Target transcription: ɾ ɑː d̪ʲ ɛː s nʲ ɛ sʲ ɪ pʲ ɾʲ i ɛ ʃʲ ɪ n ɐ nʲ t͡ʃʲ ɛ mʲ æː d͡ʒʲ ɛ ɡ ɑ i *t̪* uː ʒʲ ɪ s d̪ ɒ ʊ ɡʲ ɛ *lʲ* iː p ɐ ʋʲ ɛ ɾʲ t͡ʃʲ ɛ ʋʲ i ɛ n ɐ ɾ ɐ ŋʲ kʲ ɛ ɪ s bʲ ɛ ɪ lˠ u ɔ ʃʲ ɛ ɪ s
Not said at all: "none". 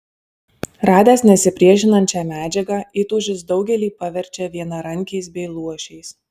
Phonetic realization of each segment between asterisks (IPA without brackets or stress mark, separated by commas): t̪, lʲ